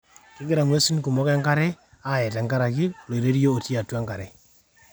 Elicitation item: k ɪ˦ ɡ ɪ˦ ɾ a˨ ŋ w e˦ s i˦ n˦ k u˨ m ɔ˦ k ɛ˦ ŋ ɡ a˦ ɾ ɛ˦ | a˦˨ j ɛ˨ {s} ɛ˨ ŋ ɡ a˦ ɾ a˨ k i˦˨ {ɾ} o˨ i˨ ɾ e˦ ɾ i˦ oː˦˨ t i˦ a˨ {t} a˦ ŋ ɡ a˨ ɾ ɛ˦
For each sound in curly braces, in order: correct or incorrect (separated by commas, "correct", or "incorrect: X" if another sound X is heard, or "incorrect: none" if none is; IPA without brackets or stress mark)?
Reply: incorrect: t, incorrect: l, correct